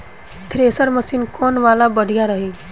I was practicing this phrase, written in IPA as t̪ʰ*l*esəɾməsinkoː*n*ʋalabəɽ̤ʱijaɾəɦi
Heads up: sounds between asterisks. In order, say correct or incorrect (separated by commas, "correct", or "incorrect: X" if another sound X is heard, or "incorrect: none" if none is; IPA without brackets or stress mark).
incorrect: ɾ, correct